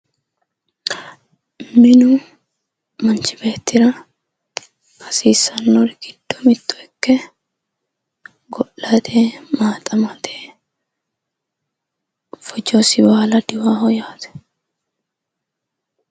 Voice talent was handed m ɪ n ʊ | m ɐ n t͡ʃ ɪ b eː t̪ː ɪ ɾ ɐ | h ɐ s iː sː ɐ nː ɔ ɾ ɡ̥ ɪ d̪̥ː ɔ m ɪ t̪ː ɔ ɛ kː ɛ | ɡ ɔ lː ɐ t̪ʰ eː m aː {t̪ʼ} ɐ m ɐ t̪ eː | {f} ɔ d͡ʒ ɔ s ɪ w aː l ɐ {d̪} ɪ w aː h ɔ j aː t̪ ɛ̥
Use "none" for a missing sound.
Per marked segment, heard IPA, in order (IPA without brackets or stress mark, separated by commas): t̪ʼ, f, d̪